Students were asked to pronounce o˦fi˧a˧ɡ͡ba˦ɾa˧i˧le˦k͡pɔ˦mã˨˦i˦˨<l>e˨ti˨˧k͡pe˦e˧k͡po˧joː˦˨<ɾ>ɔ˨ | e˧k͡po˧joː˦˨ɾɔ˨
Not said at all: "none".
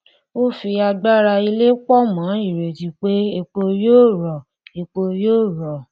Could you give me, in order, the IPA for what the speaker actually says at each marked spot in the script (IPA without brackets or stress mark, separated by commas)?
ɾ, ɾ